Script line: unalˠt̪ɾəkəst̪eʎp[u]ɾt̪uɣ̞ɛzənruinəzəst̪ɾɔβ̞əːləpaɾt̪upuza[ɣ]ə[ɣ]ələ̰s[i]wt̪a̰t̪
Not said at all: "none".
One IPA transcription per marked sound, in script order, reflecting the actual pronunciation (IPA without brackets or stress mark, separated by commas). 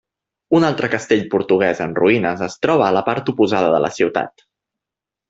u, ð, ð, i